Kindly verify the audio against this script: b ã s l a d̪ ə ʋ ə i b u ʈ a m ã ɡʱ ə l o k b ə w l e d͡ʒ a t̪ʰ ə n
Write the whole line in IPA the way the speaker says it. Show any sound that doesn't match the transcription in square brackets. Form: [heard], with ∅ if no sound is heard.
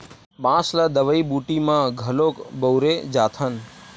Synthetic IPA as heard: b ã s l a d̪ ə ʋ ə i b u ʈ [i] m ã ɡʱ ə l o k b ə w [ɾ] e d͡ʒ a t̪ʰ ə n